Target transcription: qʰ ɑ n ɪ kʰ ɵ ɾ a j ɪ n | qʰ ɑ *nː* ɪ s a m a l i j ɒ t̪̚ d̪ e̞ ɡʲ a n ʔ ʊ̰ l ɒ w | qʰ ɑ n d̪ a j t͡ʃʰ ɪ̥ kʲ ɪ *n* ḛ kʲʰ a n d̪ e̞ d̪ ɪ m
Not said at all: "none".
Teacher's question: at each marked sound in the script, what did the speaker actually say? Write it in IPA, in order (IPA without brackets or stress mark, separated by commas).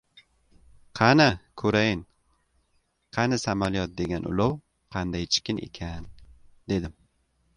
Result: n, n